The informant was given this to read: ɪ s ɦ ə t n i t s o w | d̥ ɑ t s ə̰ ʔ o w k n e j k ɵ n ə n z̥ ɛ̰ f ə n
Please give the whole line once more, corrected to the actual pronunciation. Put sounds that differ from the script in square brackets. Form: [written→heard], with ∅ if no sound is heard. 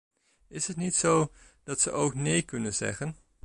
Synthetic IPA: ɪ s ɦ ə t n i t s o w | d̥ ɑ t s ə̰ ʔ o w k n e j k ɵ n ə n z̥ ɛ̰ [f→χ] ə n